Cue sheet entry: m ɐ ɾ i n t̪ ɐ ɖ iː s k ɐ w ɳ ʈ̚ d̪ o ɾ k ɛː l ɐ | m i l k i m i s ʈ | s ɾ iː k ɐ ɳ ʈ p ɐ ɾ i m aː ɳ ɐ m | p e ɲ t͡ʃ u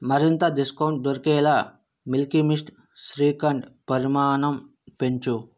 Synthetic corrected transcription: m ɐ ɾ i n t̪ ɐ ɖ i s k ɐ w ɳ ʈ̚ d̪ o ɾ k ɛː l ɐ | m i l k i m i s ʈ | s ɾ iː k ɐ ɳ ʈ p ɐ ɾ i m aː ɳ ɐ m | p e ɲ t͡ʃ u